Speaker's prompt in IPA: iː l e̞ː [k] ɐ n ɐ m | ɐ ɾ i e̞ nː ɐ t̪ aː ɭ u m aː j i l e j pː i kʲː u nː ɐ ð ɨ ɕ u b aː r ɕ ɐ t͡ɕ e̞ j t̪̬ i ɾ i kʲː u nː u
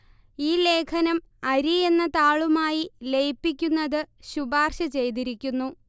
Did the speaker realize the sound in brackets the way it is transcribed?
no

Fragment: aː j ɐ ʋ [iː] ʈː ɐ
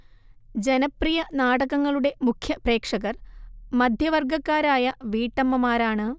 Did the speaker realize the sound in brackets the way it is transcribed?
yes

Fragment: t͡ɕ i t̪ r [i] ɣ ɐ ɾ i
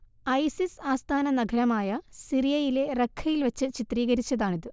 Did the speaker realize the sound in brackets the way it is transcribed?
no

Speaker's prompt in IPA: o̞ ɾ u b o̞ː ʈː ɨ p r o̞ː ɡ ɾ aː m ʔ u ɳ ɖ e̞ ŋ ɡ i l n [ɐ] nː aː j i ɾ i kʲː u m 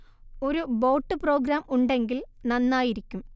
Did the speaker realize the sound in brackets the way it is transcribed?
yes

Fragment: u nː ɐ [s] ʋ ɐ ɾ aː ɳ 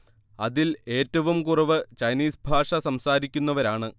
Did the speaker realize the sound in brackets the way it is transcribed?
no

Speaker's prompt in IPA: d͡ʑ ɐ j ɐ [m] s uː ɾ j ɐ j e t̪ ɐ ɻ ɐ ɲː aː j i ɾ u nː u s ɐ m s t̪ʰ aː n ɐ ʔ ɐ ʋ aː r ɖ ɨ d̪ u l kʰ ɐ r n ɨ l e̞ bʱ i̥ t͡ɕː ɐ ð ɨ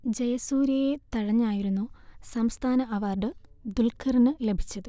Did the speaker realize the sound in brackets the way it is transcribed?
no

